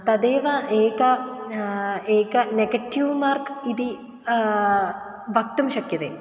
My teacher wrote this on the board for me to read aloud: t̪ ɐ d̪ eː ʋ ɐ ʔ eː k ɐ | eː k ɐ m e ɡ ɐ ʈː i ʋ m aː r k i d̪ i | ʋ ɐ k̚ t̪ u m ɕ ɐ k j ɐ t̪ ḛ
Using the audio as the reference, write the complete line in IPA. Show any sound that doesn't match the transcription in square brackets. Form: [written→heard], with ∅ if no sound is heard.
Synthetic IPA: t̪ ɐ d̪ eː ʋ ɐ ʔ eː k ɐ | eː k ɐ [m→n] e ɡ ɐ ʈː i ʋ m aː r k i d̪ i | ʋ ɐ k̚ t̪ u m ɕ ɐ k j ɐ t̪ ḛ